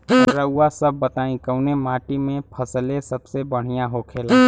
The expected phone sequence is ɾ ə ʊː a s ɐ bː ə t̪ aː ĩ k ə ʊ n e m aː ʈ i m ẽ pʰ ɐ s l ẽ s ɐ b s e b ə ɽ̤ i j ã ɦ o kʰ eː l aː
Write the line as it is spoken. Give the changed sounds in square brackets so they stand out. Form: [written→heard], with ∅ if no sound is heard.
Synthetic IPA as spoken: ɾ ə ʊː a s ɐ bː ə t̪ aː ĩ k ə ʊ n e m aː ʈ i m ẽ pʰ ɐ s l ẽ s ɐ b s e b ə ɽ̤ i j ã ɦ o kʰ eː l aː